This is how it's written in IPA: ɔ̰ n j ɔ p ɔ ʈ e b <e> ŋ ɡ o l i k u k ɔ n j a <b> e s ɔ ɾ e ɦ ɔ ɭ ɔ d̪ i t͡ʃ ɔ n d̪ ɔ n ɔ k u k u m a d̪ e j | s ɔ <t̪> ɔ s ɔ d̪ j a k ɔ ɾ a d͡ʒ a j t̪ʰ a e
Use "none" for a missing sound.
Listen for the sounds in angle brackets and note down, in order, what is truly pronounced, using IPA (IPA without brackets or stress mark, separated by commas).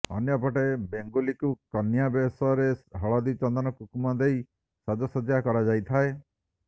e, b, d̪